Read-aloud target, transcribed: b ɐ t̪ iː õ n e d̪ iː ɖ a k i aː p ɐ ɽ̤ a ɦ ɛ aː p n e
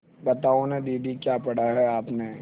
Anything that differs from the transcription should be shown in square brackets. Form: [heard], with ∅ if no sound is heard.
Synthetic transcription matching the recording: b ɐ t̪ [aː] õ n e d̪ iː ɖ [i] k [j] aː p ɐ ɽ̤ a ɦ ɛ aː p n e